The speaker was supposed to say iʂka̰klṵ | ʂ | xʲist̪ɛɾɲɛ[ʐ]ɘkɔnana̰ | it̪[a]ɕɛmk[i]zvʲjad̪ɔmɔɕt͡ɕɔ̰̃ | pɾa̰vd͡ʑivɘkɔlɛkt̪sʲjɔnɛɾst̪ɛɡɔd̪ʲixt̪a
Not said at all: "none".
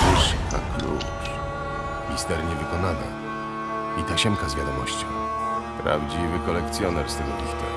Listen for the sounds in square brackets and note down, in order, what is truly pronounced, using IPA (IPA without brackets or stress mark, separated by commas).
v, a, a